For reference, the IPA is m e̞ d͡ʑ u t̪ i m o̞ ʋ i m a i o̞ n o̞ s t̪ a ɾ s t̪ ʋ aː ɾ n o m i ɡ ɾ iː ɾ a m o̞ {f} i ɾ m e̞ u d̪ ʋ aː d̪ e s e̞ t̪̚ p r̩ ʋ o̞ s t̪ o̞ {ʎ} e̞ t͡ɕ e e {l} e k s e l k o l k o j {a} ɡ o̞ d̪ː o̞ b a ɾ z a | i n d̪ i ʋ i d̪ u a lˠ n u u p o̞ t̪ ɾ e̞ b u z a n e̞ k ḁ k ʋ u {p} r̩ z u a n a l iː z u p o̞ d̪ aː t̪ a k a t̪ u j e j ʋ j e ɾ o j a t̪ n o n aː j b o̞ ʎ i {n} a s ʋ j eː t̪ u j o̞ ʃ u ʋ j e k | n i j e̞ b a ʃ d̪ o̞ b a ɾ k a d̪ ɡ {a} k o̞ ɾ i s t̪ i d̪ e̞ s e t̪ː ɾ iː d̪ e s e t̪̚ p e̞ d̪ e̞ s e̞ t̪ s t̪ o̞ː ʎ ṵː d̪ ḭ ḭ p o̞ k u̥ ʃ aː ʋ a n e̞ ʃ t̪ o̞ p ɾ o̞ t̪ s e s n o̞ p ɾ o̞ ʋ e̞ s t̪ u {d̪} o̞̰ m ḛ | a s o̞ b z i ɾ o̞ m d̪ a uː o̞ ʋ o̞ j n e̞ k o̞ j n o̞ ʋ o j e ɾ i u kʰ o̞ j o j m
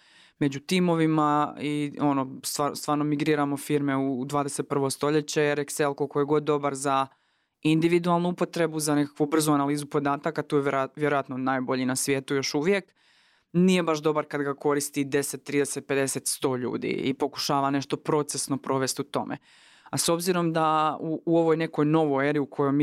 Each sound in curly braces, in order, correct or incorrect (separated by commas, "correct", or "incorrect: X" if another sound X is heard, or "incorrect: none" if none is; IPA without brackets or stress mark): correct, correct, incorrect: ɾ, incorrect: e, incorrect: b, correct, correct, incorrect: t̪